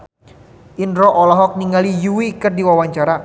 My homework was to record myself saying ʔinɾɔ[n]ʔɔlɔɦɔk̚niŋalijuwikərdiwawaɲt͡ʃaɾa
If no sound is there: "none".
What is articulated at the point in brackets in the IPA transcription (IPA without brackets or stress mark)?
none